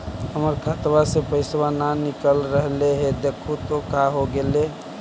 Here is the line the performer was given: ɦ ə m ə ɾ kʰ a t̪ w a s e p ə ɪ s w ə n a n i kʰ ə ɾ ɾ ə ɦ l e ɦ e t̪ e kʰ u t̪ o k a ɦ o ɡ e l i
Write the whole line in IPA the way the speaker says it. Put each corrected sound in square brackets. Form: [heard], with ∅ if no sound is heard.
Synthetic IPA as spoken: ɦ ə m ə ɾ kʰ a t̪ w a s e p ə ɪ s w [a] n a n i [k] ə [l] ɾ ə ɦ l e ɦ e [d̪] e kʰ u t̪ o k a ɦ o ɡ e l [e]